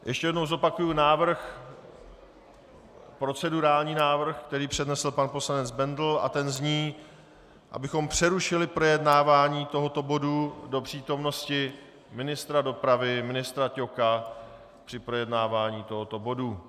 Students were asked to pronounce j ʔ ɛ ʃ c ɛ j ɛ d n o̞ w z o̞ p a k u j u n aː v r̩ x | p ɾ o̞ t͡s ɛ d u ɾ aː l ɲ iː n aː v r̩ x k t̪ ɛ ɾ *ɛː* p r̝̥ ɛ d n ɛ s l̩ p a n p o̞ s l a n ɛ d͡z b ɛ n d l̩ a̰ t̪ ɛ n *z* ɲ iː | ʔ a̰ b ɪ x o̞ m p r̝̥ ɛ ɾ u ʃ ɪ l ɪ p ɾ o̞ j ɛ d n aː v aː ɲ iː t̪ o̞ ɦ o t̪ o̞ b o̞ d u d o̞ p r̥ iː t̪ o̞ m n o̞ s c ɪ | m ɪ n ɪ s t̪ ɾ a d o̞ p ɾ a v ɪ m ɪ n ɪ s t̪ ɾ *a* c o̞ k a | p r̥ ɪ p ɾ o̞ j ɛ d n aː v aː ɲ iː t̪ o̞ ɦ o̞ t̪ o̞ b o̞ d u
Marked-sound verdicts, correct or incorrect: incorrect: iː, correct, correct

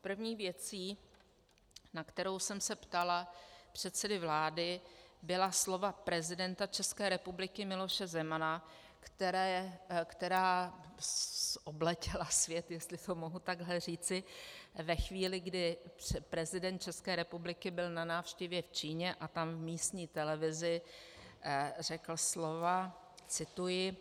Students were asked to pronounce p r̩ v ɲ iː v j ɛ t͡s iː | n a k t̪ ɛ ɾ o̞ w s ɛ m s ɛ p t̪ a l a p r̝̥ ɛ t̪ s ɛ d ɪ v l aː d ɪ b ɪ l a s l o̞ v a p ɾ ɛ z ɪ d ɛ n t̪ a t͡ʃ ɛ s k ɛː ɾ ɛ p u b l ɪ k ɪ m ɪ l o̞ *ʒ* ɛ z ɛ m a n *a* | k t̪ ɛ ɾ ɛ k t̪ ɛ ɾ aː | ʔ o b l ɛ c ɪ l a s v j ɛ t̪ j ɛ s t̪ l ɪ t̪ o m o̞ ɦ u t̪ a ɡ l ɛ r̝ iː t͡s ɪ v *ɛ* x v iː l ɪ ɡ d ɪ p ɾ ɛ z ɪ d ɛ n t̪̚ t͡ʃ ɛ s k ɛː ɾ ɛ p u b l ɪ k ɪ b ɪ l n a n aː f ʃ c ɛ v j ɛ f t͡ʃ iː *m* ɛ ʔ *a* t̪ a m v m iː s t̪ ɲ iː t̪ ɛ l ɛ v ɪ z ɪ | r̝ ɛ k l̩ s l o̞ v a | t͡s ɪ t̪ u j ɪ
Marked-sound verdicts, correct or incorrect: incorrect: ʃ, correct, correct, incorrect: ɲ, correct

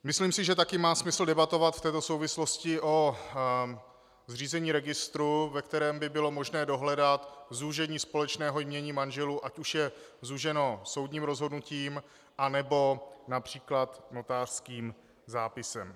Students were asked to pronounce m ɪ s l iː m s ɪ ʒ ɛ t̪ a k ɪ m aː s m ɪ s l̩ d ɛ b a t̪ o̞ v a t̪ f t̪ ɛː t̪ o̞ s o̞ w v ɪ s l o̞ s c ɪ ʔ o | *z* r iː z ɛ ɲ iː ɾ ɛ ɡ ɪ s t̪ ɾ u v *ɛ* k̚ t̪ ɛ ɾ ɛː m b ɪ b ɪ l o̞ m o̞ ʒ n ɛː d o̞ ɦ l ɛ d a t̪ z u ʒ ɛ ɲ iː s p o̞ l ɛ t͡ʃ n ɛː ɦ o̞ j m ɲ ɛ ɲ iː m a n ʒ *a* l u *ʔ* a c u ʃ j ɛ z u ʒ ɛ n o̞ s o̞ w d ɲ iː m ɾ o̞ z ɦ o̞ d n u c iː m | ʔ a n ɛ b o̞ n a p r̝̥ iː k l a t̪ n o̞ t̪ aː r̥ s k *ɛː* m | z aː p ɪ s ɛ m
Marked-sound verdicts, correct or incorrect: correct, correct, incorrect: ɛ, correct, incorrect: iː

